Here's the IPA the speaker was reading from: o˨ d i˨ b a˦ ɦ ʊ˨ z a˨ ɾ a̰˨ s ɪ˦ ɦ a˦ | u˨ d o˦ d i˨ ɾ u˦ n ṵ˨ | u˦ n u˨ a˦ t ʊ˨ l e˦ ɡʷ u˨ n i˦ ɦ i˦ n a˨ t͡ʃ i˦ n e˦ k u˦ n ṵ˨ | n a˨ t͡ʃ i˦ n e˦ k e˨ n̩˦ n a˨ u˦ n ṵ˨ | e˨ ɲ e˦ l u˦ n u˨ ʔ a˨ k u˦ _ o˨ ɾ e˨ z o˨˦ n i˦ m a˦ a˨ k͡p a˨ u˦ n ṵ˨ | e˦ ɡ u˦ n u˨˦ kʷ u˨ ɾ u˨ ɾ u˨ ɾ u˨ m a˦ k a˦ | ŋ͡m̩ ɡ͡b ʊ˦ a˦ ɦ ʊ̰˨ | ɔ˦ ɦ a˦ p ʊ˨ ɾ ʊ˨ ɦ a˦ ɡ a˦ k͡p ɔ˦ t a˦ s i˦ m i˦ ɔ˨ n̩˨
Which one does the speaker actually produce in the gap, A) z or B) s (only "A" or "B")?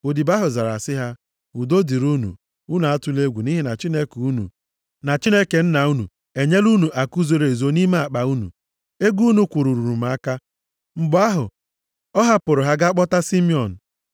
A